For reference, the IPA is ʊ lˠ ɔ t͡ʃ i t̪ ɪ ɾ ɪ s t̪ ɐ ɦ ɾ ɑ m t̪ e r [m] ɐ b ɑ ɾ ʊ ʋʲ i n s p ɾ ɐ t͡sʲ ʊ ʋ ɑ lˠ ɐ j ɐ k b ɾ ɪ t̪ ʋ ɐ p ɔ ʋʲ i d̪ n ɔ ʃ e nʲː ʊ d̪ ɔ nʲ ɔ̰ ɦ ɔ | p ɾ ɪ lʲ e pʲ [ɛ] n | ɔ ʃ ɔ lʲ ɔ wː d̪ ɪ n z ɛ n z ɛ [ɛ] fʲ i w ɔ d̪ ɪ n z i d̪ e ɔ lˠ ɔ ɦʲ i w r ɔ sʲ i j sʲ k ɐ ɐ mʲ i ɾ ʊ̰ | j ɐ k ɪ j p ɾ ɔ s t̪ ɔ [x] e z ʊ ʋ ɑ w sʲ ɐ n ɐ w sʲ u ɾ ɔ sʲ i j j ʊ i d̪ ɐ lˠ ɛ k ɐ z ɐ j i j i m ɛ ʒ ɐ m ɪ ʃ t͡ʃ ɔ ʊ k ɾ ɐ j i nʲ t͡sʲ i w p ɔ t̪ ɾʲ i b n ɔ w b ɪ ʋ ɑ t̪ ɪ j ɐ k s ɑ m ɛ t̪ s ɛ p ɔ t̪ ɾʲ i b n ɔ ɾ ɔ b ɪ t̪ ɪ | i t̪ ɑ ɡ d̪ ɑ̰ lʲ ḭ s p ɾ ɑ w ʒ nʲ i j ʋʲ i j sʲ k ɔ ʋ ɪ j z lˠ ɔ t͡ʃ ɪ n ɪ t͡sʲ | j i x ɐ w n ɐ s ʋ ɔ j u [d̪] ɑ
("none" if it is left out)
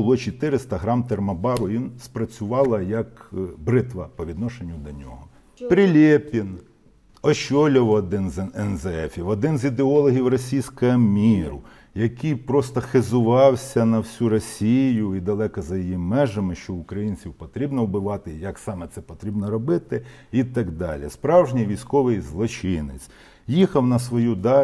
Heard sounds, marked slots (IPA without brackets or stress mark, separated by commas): m, i, ɛ, x, d̪